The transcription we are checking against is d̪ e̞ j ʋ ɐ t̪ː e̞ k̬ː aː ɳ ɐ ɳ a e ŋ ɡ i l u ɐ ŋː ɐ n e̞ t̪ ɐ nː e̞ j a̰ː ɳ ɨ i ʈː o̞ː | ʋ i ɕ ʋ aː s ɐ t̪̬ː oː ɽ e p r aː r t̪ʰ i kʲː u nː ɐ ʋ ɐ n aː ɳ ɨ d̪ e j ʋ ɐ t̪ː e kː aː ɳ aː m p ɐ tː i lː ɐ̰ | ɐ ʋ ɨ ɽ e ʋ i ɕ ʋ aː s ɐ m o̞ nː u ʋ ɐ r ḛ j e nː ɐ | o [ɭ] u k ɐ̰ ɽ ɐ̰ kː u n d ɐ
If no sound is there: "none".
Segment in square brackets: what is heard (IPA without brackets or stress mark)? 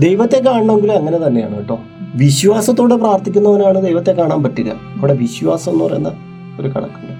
ɾ